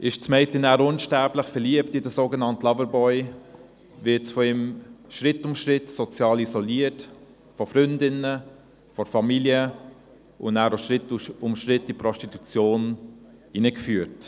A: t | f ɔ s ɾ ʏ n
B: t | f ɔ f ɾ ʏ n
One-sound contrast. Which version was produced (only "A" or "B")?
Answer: B